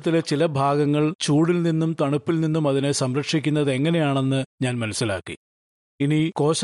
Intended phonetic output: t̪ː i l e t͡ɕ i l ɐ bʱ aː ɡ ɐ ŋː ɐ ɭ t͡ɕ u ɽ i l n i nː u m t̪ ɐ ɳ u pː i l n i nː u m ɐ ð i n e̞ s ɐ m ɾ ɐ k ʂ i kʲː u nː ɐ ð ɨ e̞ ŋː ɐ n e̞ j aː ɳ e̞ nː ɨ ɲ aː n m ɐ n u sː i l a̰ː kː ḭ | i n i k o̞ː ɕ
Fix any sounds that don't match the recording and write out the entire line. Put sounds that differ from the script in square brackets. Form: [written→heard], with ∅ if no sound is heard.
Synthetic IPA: t̪ː i l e t͡ɕ i l ɐ bʱ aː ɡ ɐ ŋː ɐ ɭ t͡ɕ [u→uː] ɽ i l n i nː u m t̪ ɐ ɳ u pː i l n i nː u m ɐ ð i n e̞ s ɐ m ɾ ɐ k ʂ i kʲː u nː ɐ ð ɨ e̞ ŋː ɐ n e̞ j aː ɳ e̞ nː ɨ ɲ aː n m ɐ n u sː i l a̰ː kː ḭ | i n i k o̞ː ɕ